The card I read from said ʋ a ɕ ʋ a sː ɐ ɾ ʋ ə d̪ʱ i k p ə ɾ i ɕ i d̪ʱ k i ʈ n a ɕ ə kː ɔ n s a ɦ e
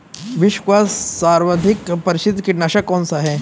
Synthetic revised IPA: ʋ i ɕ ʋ a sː a ɾ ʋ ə d̪ʱ i k p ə ɾ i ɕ i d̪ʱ k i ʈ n a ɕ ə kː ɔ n s a ɦ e